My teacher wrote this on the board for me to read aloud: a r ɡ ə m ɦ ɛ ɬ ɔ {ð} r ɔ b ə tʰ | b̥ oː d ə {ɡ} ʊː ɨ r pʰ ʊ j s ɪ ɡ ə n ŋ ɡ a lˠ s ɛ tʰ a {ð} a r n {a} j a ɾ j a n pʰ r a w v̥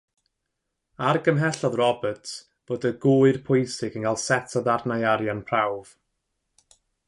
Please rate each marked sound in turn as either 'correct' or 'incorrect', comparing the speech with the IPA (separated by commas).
correct, correct, correct, correct